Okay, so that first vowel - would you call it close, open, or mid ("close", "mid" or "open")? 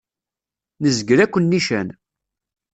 mid